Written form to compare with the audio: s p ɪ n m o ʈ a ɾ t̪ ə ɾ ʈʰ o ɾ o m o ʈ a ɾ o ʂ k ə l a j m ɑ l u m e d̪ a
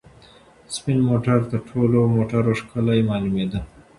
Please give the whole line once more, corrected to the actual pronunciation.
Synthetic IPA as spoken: s p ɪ n m o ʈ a ɾ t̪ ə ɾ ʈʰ o l o m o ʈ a ɾ o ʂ k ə l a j m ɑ l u m e d̪ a